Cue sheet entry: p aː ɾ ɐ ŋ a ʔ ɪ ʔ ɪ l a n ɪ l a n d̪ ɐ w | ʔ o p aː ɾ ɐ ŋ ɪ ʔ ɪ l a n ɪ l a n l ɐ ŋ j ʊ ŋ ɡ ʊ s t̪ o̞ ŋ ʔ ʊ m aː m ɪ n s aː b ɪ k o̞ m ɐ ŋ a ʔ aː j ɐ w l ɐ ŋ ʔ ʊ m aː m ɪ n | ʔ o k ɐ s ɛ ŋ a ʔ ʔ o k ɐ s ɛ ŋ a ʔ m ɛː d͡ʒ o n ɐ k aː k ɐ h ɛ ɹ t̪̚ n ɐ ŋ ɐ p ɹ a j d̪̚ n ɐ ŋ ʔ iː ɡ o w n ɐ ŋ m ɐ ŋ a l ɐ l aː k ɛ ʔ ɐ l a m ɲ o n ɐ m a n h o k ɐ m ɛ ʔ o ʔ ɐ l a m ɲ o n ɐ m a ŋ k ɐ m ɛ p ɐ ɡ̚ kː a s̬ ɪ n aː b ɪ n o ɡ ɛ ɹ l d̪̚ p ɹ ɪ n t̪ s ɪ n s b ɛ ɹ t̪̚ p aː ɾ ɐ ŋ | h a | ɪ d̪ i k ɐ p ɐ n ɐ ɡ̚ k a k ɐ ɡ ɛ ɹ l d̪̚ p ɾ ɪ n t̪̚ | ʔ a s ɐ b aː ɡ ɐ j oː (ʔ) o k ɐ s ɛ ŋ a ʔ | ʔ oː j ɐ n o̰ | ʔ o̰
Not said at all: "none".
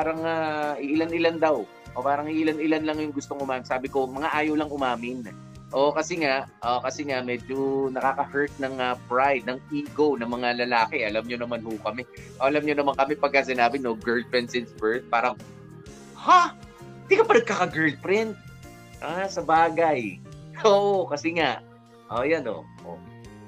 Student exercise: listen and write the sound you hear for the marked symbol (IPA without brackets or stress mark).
ʔ